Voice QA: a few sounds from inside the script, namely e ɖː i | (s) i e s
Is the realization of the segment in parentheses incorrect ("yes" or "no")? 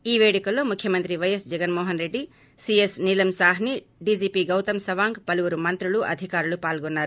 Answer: no